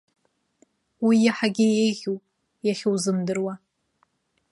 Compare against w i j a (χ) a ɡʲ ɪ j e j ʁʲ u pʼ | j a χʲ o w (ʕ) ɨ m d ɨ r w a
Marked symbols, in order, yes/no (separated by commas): no, no